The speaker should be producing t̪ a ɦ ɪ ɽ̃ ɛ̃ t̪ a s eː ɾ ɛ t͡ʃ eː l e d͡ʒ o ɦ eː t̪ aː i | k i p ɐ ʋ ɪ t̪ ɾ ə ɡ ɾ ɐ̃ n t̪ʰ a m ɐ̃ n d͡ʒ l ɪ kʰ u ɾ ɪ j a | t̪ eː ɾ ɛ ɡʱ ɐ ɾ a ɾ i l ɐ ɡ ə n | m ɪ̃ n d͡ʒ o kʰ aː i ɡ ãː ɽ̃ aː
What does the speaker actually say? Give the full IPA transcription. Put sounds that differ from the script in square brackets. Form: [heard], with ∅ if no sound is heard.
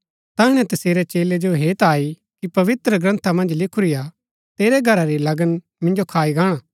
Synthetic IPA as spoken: t̪ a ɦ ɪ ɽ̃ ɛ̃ t̪ [ɐ] s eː ɾ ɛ t͡ʃ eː l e d͡ʒ o ɦ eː t̪ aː i | k i p ɐ ʋ ɪ t̪ ɾ ə ɡ ɾ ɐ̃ n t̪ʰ a m ɐ̃ n d͡ʒ l ɪ kʰ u ɾ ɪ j a | t̪ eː ɾ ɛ ɡʱ ɐ ɾ a ɾ i l ɐ ɡ ə n | m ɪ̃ n d͡ʒ o kʰ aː i ɡ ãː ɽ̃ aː